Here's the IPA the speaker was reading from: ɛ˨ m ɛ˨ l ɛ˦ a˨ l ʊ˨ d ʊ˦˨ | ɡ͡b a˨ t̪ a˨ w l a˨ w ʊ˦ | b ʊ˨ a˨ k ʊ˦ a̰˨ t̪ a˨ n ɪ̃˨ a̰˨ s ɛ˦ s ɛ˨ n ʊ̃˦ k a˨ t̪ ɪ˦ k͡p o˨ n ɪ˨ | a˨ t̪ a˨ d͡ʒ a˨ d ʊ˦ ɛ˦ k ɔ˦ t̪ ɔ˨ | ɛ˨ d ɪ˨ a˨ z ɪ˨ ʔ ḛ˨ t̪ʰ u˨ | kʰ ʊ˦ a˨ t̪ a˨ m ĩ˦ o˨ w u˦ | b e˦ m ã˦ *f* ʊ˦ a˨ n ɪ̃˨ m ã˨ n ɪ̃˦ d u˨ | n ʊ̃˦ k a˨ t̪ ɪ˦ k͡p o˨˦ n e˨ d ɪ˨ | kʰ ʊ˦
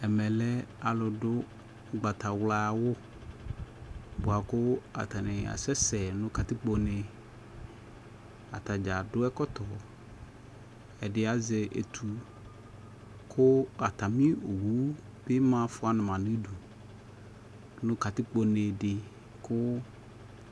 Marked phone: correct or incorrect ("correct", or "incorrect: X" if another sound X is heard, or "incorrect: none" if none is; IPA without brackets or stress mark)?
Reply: correct